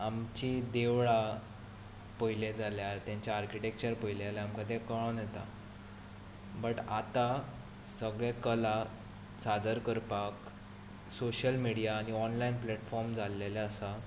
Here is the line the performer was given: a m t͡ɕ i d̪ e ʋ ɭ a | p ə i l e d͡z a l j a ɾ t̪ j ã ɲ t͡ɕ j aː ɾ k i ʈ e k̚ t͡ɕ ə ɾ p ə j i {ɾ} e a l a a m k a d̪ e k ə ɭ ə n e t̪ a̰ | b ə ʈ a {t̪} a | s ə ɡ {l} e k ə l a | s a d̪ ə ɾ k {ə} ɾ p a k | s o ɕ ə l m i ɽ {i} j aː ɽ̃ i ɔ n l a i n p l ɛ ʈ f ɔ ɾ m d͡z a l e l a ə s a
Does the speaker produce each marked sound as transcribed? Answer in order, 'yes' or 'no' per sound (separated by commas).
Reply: no, yes, no, yes, yes